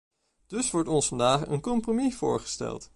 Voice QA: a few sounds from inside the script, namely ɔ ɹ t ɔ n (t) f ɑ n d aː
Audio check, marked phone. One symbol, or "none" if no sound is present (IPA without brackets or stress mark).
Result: s